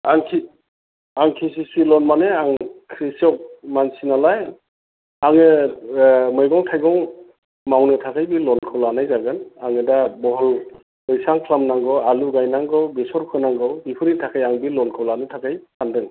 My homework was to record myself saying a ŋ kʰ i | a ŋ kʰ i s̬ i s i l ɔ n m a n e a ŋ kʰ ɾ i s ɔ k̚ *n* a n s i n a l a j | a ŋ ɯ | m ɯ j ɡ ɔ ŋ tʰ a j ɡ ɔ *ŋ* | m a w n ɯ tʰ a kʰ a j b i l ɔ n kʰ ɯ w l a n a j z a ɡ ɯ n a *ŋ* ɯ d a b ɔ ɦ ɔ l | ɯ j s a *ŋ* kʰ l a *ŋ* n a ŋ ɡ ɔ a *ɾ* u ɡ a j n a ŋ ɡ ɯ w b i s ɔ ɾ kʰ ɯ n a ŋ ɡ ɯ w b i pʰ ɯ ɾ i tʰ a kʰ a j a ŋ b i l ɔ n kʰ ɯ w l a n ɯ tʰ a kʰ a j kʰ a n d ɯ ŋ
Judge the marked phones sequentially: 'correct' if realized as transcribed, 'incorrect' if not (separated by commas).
incorrect, correct, correct, correct, incorrect, incorrect